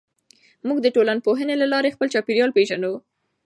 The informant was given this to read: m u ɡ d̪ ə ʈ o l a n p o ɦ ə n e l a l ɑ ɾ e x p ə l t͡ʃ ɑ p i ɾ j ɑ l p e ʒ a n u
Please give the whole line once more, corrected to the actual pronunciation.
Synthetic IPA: m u ɡ d̪ ə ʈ o l a n p o ɦ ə n e l a l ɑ ɾ e x p ə l t͡ʃ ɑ p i ɾ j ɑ l p e ʒ a n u